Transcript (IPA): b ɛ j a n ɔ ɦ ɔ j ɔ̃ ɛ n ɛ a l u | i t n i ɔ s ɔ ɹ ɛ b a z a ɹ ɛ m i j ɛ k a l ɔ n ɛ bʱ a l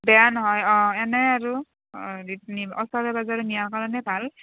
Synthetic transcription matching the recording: b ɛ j a n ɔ ɦ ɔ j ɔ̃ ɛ n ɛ a ɹ u | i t n i ɔ s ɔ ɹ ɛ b a z a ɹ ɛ m i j a k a l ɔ n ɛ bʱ a l